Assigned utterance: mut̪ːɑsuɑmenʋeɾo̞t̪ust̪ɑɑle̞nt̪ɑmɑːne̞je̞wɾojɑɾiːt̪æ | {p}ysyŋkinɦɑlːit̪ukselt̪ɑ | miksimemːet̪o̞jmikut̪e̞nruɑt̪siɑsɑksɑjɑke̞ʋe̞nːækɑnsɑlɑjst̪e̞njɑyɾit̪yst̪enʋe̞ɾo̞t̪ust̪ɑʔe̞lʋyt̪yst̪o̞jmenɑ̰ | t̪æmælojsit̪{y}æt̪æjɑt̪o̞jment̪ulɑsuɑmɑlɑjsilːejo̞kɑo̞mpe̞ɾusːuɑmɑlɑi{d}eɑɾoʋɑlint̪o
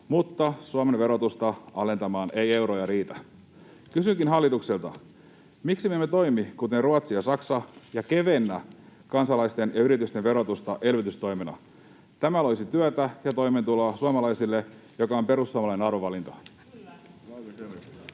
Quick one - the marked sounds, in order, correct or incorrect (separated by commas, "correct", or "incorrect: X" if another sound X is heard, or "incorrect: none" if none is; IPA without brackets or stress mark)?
incorrect: k, correct, incorrect: n